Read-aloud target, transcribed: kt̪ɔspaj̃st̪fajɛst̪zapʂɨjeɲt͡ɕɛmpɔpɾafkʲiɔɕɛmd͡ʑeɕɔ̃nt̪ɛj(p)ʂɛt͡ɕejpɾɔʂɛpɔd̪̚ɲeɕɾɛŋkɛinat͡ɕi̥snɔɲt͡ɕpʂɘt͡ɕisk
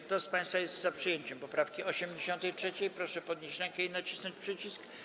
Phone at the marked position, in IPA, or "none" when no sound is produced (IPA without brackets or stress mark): t